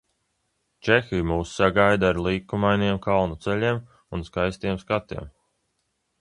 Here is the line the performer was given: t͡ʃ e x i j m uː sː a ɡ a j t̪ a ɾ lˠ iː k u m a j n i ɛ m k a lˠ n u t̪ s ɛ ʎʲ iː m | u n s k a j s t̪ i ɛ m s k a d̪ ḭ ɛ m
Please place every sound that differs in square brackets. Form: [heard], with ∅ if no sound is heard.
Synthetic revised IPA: t͡ʃ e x i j m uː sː a ɡ a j [d̪] a ɾ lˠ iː k u m a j n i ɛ m k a lˠ n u t̪ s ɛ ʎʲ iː m | u n s k a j s t̪ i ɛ m s k a [t̪] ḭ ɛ m